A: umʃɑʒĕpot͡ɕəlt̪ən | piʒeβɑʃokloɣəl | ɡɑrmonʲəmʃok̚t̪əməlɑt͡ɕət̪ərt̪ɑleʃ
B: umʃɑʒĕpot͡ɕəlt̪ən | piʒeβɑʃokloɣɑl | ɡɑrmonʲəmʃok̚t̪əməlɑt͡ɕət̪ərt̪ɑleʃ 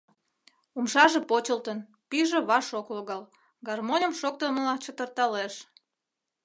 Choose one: B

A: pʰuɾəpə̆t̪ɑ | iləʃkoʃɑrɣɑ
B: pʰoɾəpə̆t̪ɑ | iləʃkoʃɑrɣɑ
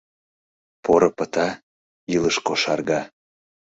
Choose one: B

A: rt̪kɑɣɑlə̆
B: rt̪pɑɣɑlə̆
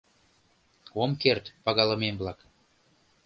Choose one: B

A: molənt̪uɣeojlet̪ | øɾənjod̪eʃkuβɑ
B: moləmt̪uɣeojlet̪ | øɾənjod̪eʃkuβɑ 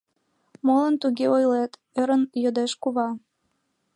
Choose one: A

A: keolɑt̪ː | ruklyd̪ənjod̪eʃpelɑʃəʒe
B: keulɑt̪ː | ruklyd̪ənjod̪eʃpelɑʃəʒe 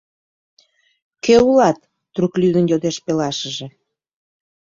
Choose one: B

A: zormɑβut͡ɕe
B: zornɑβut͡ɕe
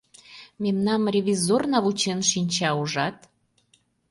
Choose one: B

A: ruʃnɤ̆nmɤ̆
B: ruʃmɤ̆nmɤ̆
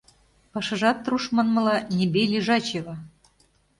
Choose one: B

